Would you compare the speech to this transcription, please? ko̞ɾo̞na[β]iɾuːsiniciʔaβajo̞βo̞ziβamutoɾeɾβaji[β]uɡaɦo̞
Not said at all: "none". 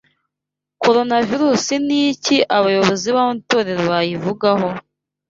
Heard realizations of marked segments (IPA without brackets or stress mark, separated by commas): v, v